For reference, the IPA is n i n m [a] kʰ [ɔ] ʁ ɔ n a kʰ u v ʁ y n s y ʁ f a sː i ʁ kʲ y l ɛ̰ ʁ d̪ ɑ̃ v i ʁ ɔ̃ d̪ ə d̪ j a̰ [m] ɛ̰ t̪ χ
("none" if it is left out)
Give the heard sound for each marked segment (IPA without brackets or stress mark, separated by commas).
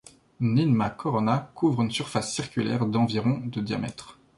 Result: a, ɔ, m